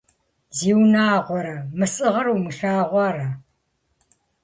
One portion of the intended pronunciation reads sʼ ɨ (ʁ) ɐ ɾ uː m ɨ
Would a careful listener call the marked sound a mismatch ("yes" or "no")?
no